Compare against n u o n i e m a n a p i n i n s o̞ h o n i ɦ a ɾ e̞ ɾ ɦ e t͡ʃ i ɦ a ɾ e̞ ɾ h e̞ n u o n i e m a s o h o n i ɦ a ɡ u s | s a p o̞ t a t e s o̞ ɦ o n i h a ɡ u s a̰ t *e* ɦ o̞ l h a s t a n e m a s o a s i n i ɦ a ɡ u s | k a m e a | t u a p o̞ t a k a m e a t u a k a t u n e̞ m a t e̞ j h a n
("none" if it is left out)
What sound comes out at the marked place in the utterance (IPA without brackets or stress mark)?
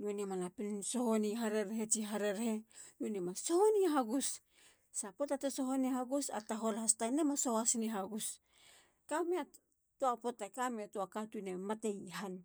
a